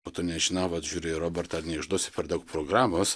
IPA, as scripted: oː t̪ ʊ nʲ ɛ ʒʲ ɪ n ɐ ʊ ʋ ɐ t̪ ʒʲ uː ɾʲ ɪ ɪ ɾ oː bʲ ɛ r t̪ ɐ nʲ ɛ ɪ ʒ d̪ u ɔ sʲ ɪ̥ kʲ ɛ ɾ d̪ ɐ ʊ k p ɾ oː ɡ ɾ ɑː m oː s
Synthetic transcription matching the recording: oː t̪ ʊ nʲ ɛ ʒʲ ɪ n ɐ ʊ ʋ ɐ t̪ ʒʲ uː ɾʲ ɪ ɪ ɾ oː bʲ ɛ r t̪ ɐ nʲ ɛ ɪ ʒ d̪ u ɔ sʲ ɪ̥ pʲ ɛ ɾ d̪ ɐ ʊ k p ɾ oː ɡ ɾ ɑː m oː s